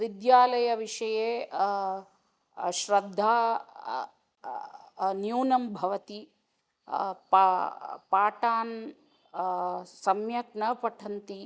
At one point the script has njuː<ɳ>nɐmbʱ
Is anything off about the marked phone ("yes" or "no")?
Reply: yes